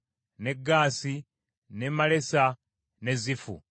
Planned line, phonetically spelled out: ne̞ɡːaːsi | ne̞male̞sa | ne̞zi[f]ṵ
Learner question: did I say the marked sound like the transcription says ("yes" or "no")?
yes